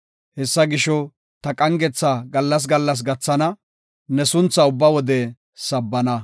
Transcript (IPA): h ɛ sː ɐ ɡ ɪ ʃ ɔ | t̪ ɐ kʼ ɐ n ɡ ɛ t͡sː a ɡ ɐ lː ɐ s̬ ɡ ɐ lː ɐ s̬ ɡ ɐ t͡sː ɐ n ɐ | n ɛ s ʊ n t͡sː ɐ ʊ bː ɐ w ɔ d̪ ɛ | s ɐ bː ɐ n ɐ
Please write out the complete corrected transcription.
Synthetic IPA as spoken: h ɛ sː ɐ ɡ ɪ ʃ ɔ | t̪ ɐ kʼ ɐ ŋ ɡ ɛ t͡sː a ɡ ɐ lː ɐ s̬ ɡ ɐ lː ɐ s̬ ɡ ɐ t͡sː ɐ n ɐ | n ɛ s ʊ n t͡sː ɐ ʊ bː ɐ w ɔ d̪ ɛ | s ɐ bː ɐ n ɐ